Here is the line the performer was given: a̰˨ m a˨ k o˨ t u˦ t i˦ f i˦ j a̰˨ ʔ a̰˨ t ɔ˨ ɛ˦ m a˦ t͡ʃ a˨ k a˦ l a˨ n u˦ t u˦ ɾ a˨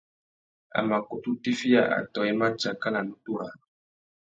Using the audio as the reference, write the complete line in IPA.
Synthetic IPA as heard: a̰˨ m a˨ k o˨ t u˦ t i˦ f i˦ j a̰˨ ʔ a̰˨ t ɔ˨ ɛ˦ m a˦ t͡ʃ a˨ k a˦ l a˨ n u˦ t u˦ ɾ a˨